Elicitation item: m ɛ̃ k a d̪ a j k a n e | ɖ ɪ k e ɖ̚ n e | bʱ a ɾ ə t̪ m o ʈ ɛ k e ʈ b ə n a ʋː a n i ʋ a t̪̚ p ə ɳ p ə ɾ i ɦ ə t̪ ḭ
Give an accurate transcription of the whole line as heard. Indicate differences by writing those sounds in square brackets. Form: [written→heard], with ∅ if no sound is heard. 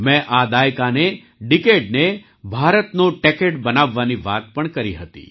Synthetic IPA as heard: m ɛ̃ [k→ʔ] a d̪ a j k a n e | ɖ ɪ k e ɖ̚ n e | bʱ a ɾ ə t̪ [m→n] o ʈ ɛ k e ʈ b ə n a ʋː a n i ʋ a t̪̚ p ə ɳ [p→k] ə ɾ i ɦ ə t̪ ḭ